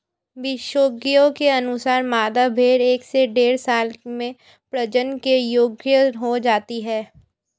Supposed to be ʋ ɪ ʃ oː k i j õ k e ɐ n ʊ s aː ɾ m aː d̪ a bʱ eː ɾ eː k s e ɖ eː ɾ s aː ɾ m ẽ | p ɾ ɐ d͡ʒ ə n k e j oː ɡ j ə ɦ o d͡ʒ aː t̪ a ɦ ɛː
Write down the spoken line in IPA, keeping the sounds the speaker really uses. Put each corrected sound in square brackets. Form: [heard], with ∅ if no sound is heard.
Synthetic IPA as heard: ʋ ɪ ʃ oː [ɡ] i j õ k e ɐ n ʊ s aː ɾ m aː d̪ a bʱ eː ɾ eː k s e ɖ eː ɾ s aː [l] m ẽ | p ɾ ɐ d͡ʒ ə n k e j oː ɡ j ə ɦ o d͡ʒ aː t̪ [i] ɦ ɛː